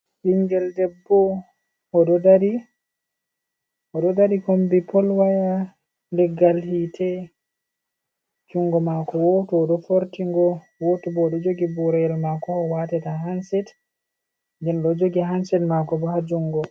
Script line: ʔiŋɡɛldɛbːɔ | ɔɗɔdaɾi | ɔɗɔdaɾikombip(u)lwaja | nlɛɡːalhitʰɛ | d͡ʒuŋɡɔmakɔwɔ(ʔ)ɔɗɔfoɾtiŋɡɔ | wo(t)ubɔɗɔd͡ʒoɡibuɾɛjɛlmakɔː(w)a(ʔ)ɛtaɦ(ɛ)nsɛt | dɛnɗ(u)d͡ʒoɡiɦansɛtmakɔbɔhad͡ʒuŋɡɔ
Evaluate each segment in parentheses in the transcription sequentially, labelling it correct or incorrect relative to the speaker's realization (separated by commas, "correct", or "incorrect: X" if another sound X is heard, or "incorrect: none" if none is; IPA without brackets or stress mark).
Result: incorrect: ɔ, incorrect: t, correct, correct, incorrect: t, incorrect: a, incorrect: ɔ